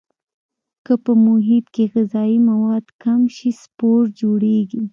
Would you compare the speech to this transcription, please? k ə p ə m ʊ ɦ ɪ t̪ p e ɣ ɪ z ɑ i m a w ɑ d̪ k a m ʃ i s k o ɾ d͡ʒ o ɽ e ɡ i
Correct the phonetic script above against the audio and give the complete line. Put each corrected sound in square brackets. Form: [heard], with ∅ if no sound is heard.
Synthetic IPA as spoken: k ə p ə m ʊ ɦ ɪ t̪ [k] e ɣ ɪ z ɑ i m a w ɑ d̪ k a m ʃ i s [p] o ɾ d͡ʒ o ɽ e ɡ i